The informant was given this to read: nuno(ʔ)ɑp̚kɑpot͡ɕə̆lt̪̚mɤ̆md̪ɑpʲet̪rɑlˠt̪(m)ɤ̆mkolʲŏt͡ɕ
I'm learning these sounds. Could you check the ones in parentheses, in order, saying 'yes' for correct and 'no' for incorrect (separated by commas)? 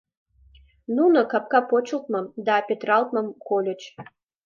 no, yes